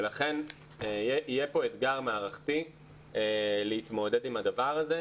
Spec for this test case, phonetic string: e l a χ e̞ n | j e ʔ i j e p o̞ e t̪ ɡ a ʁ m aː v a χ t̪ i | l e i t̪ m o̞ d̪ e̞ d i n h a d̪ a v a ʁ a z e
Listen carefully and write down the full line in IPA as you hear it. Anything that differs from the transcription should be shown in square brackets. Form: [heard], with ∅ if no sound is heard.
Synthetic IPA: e l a χ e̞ n | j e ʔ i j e p o̞ e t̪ ɡ a ʁ m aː [ʁ] a χ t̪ i | l e i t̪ m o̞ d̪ e̞ d i [m] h a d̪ a v a ʁ a z e